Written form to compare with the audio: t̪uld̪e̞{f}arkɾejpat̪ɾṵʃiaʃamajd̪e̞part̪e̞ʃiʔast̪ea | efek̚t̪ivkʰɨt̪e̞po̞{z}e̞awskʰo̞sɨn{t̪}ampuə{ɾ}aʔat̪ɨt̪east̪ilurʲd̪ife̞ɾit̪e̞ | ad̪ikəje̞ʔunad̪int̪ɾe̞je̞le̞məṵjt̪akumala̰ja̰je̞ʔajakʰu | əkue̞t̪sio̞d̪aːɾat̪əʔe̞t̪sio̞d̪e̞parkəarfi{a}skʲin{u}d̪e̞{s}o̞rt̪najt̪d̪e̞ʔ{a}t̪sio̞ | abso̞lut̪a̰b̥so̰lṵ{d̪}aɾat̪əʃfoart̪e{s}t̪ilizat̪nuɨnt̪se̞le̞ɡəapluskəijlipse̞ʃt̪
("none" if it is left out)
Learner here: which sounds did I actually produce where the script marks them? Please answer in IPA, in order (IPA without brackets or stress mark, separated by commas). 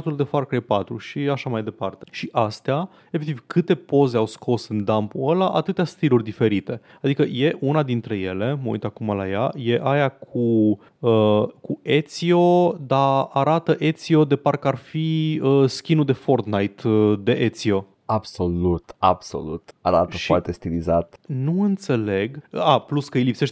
f, z, d̪, l, ə, u, f, e, t̪, s